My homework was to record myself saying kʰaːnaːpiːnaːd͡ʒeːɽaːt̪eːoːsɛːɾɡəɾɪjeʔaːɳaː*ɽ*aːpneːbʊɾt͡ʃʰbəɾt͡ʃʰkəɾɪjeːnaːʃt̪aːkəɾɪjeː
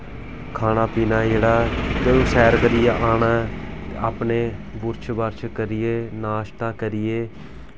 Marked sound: incorrect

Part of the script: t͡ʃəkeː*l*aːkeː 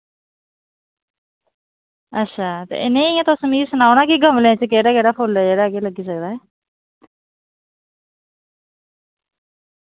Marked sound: incorrect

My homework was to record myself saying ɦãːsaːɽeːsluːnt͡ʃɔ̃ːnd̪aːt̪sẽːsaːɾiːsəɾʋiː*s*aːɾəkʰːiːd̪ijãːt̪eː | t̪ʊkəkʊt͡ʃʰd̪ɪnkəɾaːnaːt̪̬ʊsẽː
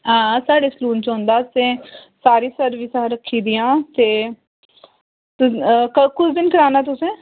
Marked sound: correct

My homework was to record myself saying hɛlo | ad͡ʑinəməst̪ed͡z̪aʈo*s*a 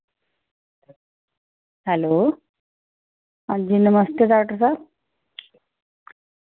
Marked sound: correct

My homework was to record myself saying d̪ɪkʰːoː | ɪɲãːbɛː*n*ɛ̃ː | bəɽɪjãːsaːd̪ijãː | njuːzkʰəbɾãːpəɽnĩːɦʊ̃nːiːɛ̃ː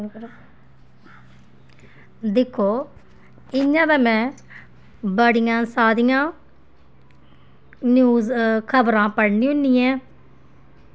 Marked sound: incorrect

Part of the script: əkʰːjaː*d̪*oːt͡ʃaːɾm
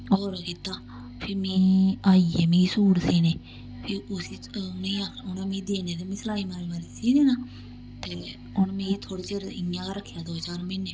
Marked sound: correct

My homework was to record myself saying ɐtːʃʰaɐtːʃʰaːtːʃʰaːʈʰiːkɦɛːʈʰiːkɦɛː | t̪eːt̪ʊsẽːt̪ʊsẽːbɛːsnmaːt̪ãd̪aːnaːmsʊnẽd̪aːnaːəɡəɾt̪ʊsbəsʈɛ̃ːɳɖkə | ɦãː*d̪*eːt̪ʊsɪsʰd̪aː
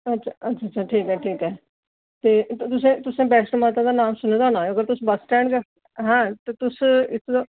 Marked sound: incorrect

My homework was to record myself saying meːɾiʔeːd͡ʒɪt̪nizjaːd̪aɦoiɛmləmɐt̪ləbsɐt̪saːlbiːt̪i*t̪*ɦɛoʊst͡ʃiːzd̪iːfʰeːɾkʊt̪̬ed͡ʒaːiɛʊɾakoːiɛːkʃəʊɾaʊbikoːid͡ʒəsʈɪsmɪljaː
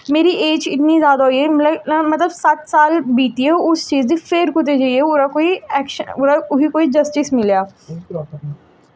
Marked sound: incorrect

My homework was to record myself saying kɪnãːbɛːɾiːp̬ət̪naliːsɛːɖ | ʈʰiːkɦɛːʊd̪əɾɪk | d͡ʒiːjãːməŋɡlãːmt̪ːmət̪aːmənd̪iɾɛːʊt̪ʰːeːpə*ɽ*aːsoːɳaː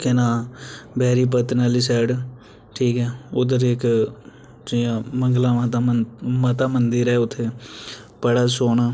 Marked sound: correct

